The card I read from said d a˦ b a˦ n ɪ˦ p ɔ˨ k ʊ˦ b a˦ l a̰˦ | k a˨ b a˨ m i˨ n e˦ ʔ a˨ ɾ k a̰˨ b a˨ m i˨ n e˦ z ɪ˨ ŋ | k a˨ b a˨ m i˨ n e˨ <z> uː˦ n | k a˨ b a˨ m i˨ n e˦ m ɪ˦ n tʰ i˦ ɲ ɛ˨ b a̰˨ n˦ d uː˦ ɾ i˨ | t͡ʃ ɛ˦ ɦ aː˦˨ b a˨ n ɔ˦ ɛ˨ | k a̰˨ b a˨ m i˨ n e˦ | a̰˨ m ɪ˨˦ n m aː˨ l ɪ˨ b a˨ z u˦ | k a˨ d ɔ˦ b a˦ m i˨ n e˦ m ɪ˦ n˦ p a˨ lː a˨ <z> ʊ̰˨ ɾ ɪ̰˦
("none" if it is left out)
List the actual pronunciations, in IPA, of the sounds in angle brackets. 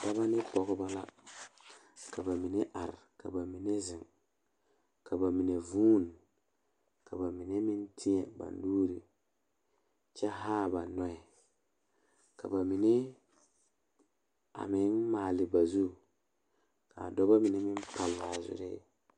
v, z

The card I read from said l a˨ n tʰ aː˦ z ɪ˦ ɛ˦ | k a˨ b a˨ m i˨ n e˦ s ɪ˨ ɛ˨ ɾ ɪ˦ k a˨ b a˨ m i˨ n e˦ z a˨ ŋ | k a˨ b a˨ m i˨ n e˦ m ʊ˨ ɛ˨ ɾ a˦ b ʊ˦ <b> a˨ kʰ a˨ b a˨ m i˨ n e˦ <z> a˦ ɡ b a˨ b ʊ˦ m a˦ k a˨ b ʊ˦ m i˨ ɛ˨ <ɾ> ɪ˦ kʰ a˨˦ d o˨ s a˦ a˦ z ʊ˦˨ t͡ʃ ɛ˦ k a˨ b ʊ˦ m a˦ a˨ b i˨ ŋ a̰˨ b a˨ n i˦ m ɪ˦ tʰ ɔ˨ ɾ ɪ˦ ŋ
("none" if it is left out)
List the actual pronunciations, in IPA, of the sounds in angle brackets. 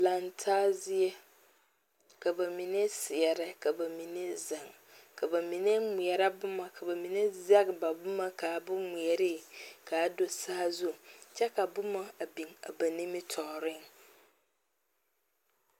m, z, ɾ

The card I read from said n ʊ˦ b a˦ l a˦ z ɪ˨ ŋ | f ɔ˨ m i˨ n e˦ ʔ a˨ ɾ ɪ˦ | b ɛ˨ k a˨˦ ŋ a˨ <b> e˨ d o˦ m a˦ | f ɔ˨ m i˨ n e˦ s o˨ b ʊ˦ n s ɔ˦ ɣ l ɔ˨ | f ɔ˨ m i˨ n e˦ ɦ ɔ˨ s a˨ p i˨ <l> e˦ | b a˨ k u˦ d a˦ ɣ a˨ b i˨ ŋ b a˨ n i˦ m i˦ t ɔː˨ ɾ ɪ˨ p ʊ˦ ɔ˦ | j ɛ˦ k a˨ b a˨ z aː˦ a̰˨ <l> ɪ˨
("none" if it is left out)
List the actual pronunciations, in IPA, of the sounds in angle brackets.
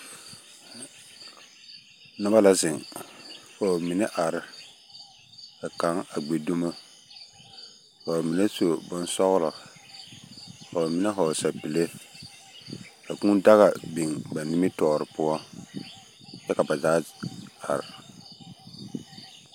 ɡ͡b, l, ɾ

